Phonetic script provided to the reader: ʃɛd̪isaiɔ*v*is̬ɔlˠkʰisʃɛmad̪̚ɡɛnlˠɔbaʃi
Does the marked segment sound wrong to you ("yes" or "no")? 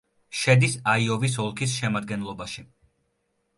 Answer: no